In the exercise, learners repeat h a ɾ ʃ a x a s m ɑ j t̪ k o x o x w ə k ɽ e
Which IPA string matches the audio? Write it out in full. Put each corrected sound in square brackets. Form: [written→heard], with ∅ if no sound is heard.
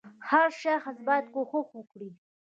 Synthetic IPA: h a ɾ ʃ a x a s [m→b] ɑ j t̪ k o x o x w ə k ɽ [e→i]